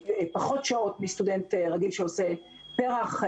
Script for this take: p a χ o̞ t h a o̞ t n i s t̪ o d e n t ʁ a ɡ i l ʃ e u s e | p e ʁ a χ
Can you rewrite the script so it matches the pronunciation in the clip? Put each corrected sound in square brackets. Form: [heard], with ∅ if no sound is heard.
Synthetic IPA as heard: p a χ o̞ t [ʃ] a o̞ t [m] i s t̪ [u] d e n t ʁ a ɡ i l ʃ e [o] s e | p e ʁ a χ